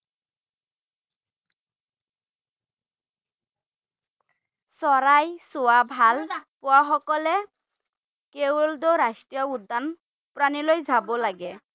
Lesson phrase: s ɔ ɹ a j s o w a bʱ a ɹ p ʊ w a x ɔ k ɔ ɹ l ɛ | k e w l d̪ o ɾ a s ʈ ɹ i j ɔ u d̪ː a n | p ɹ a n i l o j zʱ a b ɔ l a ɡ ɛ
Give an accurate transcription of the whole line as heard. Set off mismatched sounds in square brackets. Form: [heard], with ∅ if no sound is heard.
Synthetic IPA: s ɔ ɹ a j s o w a bʱ a [l] p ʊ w a x ɔ k ɔ [∅] l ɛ | k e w l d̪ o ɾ a s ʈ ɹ i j ɔ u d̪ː a n | p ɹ a n i l o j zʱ a b ɔ l a ɡ ɛ

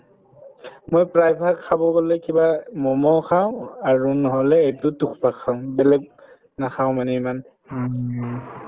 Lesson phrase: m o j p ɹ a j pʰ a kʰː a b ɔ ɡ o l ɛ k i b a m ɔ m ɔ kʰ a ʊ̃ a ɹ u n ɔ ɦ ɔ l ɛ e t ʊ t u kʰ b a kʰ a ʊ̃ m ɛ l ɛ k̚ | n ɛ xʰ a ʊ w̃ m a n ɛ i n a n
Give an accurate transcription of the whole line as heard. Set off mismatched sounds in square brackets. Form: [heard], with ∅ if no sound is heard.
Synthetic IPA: m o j p ɹ a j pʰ a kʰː a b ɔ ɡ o l ɛ k i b a m ɔ m ɔ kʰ a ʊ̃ a ɹ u n ɔ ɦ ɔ l ɛ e t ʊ t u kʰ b a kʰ a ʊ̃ [b] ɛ l ɛ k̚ | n [a] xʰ a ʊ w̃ m a n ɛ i [m] a n

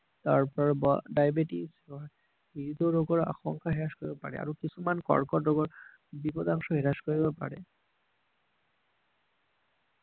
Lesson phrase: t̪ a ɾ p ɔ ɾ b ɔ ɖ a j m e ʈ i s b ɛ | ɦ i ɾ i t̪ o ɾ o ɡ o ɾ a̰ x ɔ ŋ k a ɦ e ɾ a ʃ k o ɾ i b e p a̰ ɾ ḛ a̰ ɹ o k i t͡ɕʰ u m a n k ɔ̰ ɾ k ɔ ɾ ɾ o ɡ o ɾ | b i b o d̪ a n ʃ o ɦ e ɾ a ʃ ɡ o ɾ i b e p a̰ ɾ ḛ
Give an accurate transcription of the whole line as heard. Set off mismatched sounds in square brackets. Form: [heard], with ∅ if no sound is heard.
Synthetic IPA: t̪ a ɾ p ɔ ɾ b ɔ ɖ a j [b] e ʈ i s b [a] | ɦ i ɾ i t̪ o ɾ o ɡ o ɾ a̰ x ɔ ŋ k a ɦ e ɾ a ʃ k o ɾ i b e p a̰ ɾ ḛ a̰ [ɾ] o k i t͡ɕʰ u m a n k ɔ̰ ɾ k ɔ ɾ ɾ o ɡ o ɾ | b i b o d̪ a [ŋ] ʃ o ɦ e ɾ a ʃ [k] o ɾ i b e p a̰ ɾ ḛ

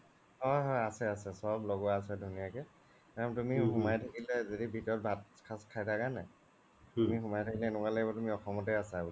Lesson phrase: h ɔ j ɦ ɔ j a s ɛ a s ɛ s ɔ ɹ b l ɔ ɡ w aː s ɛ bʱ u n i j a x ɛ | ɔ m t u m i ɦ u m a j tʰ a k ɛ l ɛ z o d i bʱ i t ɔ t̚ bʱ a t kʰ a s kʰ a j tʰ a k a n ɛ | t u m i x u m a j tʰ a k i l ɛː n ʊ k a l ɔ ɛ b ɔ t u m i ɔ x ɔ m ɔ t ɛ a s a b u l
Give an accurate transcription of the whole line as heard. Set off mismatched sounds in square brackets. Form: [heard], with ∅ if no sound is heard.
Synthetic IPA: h ɔ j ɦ ɔ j a s ɛ a s ɛ s ɔ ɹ b l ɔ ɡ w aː s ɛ [dʱ] u n i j a [k] ɛ | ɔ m t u m i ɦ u m a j tʰ a k [i] l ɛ z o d i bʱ i t ɔ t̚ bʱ a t kʰ a s kʰ a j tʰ a k a n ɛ | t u m i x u m a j tʰ a k i l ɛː n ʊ k a l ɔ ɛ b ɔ t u m i ɔ x ɔ m ɔ t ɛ a s a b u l

